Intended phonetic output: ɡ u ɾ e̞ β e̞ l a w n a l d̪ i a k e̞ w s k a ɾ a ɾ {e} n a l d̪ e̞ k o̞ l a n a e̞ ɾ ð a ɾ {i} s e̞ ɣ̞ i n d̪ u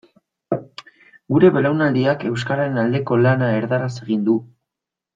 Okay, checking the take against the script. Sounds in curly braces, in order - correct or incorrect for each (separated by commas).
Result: correct, incorrect